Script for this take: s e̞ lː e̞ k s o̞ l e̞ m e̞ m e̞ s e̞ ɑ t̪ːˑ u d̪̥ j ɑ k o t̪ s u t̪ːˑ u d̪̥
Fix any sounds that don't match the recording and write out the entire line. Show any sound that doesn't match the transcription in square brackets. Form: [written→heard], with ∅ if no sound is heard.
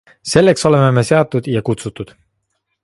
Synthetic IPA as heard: s e̞ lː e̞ k s o̞ l e̞ m e̞ m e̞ s e̞ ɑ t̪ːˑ u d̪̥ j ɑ k [o→u] t̪ s u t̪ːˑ u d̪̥